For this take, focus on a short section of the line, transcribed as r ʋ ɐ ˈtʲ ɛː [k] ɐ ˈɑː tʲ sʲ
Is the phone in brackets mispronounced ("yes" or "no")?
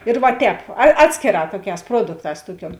yes